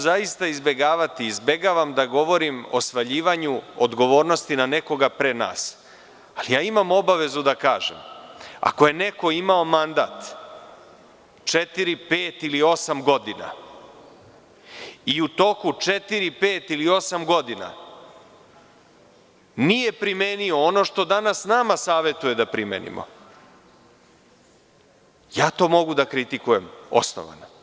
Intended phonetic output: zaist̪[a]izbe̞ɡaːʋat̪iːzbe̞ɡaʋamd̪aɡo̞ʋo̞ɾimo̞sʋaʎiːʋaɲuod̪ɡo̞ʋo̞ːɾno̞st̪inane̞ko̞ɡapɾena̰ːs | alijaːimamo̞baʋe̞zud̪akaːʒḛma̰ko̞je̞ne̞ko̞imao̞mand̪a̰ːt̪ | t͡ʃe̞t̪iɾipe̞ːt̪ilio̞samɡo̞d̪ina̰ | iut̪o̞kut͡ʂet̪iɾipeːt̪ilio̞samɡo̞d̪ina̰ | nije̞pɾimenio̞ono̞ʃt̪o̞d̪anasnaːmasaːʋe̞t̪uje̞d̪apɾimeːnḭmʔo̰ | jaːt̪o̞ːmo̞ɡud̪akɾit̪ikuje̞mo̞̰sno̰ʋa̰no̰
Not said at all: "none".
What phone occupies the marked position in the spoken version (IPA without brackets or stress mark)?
a